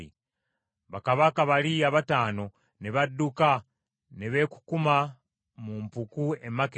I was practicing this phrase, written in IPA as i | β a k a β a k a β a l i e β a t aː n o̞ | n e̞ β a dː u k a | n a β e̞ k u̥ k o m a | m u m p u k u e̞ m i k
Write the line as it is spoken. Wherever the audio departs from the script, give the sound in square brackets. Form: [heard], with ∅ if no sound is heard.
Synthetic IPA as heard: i | β a k a β a k a β a l i [a] β a t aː n o̞ | n e̞ β a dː u k a | n [e] β e̞ k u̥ k [u] m a | m u m p u k u e̞ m [a] k

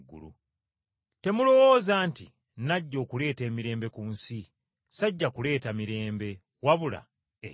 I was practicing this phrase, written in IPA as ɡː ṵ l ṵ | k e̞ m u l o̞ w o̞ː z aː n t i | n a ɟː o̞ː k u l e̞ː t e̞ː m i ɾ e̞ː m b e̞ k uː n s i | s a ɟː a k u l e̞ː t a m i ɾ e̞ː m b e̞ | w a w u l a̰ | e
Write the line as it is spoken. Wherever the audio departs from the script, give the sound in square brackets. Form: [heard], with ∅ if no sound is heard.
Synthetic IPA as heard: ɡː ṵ l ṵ | [t] e̞ m u l o̞ w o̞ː z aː n t i | n a ɟː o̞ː k u l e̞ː t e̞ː m i ɾ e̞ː m b e̞ k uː n s i | s a ɟː a k u l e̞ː t a m i ɾ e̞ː m b e̞ | w a [β] u l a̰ | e

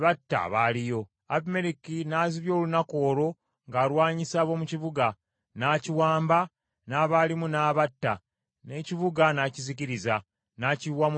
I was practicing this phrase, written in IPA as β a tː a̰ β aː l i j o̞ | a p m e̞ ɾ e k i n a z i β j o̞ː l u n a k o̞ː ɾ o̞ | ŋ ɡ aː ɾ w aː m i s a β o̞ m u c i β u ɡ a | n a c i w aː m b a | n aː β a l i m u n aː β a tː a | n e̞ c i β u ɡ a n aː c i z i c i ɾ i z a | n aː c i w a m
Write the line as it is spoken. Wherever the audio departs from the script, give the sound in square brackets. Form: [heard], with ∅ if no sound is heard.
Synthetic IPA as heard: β a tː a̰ β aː l i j o̞ | a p m e̞ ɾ [i] k i n a z i β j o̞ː l u n a k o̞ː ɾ o̞ | ŋ ɡ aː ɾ w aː [ɲ] i s a β o̞ m u c i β u ɡ a | n a c i w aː m b a | n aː β a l i m u n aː β a tː a | n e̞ c i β u ɡ a n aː c i z i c i ɾ i z a | n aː c i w a m

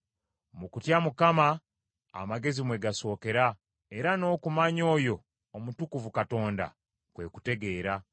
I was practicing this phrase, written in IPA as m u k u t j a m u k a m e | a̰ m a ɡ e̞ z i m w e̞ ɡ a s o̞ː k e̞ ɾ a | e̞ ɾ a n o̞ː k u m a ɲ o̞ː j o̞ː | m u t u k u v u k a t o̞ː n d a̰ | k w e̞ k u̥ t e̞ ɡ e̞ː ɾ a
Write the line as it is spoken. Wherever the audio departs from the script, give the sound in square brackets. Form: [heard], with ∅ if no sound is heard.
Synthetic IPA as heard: m u k u t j a m u k a m [a] | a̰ m a ɡ e̞ z i m w e̞ ɡ a s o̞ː k e̞ ɾ a | e̞ ɾ a n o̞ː k u m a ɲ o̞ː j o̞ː | m u t u k u v u k a t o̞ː n d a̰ | k w e̞ k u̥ t e̞ ɡ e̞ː ɾ a

